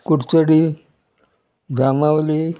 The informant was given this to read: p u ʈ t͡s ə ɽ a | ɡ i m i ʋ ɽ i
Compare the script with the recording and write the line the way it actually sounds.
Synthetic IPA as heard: k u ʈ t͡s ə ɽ i | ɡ a m a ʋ l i